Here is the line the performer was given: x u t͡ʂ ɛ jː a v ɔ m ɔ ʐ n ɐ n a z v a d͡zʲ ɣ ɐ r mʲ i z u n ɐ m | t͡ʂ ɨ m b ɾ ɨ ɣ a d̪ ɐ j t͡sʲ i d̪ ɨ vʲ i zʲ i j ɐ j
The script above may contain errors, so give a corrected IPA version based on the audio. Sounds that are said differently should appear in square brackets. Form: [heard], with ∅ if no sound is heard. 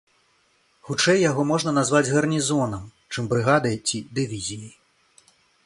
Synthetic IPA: x u t͡ʂ ɛ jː a [ɣ] ɔ m ɔ ʐ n ɐ n a z v a d͡zʲ ɣ ɐ r [nʲ] i z [ɔ] n ɐ m | t͡ʂ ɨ m b ɾ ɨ ɣ a d̪ ɐ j t͡sʲ i d̪ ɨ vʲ i zʲ i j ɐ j